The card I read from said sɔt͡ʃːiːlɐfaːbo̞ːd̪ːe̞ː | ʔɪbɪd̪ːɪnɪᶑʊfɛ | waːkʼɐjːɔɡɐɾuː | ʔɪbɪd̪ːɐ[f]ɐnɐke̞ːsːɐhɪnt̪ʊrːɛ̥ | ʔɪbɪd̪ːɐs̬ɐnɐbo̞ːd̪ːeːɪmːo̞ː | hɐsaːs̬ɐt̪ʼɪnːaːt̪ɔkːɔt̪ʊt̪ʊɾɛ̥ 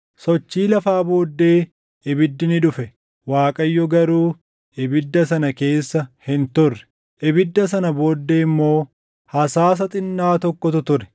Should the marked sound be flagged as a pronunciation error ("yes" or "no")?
yes